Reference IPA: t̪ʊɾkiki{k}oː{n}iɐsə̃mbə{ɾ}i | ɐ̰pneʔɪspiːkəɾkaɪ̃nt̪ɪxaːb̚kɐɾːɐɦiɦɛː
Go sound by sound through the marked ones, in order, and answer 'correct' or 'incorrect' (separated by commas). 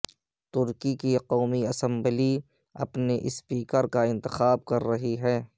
incorrect, incorrect, incorrect